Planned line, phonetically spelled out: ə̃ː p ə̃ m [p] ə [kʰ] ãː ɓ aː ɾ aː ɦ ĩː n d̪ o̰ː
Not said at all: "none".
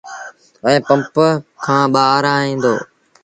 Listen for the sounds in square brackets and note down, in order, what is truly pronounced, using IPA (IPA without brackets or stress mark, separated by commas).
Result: p, kʰ